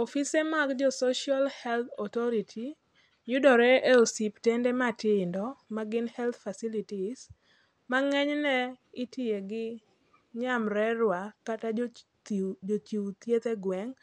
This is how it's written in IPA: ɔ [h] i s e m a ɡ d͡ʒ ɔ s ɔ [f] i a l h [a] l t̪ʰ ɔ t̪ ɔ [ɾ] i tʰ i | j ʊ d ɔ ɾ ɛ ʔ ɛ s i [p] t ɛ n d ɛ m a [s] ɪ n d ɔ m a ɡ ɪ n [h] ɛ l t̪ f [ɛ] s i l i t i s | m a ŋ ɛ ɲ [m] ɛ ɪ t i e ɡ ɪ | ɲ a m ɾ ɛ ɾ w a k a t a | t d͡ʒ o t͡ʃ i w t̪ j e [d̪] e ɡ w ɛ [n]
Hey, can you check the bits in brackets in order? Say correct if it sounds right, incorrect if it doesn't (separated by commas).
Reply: incorrect, incorrect, incorrect, correct, correct, incorrect, correct, incorrect, incorrect, incorrect, incorrect